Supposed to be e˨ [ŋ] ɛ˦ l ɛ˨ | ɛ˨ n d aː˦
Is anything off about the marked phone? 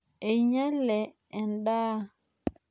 yes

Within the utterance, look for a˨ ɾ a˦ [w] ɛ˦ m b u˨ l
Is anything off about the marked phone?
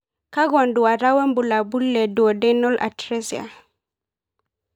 no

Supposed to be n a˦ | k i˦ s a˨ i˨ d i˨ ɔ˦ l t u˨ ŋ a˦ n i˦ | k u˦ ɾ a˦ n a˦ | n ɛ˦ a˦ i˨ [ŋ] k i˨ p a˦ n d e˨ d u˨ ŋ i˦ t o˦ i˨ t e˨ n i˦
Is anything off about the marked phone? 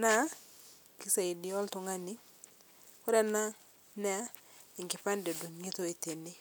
no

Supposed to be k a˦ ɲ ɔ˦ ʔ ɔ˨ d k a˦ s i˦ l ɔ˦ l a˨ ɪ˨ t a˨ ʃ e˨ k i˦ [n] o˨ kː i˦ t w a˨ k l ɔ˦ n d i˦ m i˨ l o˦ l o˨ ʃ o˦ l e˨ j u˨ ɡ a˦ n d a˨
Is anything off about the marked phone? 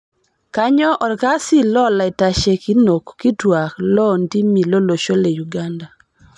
no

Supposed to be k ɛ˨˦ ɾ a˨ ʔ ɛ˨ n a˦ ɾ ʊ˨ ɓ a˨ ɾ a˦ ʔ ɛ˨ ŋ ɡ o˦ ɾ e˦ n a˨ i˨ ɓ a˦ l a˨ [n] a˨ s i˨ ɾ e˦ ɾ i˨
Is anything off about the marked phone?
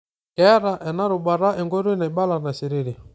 no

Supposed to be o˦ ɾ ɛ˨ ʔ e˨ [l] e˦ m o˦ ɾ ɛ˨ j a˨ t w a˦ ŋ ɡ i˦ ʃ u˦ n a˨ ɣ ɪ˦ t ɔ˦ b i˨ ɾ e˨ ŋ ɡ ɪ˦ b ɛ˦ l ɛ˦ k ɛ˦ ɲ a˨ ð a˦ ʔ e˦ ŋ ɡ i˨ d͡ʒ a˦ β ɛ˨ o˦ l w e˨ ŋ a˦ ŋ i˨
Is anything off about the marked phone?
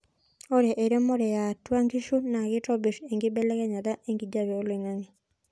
yes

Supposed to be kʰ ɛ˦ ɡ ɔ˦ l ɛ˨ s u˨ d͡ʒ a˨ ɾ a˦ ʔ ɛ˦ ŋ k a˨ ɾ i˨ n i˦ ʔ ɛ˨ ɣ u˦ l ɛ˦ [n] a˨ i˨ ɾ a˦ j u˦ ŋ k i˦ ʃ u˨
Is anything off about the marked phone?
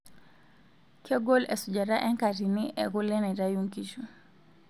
no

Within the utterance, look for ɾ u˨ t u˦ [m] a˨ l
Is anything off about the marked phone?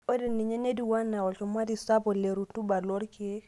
yes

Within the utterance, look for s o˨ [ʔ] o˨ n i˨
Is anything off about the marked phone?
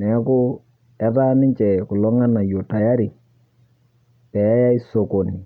yes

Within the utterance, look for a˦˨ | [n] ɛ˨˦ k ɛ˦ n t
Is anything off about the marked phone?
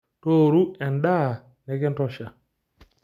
no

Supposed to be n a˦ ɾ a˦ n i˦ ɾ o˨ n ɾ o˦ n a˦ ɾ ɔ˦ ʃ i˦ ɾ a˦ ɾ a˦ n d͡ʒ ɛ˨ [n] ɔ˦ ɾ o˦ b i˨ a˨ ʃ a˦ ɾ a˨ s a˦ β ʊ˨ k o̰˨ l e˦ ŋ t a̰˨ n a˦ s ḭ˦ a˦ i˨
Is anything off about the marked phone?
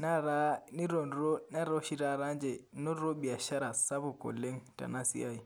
no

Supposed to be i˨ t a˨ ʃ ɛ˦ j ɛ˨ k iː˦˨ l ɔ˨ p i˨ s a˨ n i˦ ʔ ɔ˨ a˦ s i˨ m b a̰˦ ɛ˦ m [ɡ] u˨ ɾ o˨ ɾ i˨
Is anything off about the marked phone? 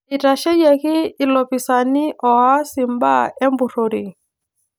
yes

